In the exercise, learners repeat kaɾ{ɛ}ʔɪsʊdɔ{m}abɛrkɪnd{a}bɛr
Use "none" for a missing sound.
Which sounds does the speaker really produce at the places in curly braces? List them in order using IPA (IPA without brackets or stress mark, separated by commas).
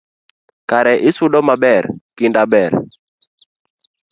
ɛ, m, a